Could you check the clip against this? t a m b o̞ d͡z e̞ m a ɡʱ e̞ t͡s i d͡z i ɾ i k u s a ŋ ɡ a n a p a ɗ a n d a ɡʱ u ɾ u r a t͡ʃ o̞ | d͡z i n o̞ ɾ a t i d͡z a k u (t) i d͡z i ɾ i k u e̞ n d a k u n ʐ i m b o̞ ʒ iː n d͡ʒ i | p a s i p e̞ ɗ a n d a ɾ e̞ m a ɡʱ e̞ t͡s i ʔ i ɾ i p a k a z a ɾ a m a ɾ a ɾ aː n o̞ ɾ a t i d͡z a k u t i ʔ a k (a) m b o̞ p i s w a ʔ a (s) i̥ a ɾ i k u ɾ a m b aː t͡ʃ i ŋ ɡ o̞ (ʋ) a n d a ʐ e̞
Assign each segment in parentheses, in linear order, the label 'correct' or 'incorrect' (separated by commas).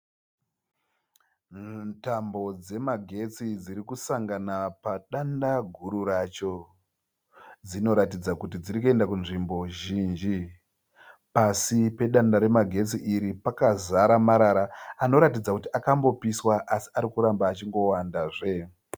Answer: correct, correct, correct, incorrect